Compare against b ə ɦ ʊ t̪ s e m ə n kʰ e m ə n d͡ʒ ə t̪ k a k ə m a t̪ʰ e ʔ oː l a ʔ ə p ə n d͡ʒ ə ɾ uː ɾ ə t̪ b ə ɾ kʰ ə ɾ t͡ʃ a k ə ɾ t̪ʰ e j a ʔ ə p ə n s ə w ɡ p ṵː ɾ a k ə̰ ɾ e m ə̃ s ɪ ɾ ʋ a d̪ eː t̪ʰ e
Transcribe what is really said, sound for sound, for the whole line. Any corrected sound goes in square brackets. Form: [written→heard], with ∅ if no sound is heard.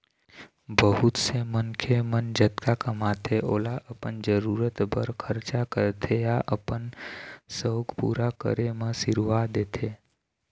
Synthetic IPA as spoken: b ə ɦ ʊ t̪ s e m ə n kʰ e m ə n d͡ʒ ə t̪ k a k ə m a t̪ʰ e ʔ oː l a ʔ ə p ə n d͡ʒ ə ɾ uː ɾ ə t̪ b ə ɾ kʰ ə ɾ t͡ʃ a k ə ɾ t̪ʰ e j a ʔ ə p ə n s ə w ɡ p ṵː ɾ a k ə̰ ɾ e m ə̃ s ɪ ɾ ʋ a d̪ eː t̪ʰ e